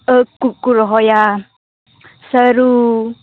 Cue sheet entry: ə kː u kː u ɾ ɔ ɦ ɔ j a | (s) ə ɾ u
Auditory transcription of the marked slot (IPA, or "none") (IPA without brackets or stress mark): s